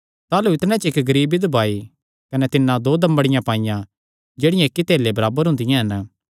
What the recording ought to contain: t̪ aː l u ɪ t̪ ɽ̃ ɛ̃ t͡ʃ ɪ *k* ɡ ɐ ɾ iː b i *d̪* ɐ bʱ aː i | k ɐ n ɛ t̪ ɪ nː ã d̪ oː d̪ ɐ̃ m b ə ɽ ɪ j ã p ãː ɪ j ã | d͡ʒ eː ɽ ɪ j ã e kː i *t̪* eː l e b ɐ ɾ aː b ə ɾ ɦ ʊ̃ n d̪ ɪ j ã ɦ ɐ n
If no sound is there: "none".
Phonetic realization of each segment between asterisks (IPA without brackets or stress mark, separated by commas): k, d̪, t̪